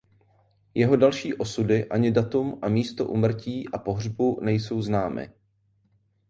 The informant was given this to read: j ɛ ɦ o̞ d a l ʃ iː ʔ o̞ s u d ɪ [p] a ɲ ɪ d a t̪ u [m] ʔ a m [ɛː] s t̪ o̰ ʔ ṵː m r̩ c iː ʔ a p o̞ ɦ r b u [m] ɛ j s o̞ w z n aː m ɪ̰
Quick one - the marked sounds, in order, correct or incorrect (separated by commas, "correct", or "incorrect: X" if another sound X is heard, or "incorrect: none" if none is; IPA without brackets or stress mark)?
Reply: incorrect: ʔ, correct, incorrect: iː, incorrect: n